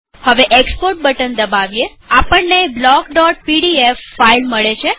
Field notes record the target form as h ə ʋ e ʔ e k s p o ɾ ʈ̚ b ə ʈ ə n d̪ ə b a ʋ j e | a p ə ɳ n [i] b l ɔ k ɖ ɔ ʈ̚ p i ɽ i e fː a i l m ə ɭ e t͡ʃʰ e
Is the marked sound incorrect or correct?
incorrect